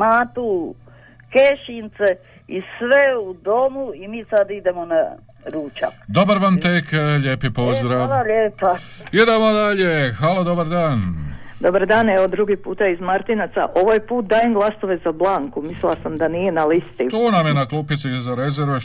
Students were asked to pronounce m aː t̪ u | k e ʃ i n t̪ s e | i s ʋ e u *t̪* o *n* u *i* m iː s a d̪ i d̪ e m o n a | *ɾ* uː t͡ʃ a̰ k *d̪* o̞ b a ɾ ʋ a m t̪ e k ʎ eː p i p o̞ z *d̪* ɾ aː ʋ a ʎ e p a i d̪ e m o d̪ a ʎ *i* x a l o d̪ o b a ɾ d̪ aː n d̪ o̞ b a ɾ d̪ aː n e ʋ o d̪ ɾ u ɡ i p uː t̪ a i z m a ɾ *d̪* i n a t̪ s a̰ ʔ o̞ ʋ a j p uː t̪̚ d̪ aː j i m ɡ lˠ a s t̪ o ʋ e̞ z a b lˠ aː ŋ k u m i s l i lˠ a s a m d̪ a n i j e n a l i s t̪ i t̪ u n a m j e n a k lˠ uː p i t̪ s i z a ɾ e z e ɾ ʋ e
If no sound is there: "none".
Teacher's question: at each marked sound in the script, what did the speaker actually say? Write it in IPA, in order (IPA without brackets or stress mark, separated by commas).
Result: d̪, m, i, ɾ, d̪, d̪, e, t̪